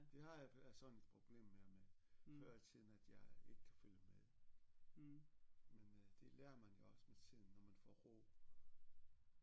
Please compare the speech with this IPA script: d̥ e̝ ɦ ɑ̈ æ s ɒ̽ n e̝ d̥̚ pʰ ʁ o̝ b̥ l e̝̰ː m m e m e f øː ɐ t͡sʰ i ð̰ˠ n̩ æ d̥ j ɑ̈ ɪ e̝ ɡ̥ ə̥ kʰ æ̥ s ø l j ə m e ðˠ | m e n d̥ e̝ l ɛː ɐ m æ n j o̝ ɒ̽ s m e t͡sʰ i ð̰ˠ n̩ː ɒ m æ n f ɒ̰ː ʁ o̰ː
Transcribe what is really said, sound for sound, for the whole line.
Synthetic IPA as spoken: d̥ e̝ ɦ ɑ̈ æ s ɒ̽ n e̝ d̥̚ pʰ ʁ o̝ b̥ l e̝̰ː m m e m e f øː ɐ t͡sʰ i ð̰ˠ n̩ æ d̥ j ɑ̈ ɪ e̝ ɡ̥ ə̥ kʰ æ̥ f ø l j ə m e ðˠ | m e n d̥ e̝ l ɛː ɐ m æ n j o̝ ɒ̽ s m e t͡sʰ i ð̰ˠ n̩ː ɒ m æ n f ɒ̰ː ʁ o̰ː